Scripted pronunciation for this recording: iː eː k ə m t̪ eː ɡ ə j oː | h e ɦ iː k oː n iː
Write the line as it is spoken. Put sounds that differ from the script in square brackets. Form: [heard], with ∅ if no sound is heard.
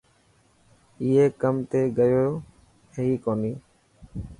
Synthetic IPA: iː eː k ə m t̪ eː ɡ ə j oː | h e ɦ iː k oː n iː